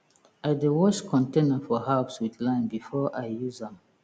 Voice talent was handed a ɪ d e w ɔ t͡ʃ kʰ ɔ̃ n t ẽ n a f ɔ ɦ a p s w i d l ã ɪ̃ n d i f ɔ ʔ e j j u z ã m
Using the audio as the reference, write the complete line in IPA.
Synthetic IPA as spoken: a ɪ d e w ɔ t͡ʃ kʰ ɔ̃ n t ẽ n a f ɔ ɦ a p s w i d l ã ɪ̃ n b i f ɔ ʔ a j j u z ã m